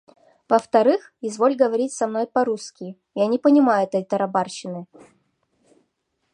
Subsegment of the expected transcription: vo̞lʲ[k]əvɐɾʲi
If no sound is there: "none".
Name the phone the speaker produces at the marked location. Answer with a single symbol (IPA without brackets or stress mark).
ɡ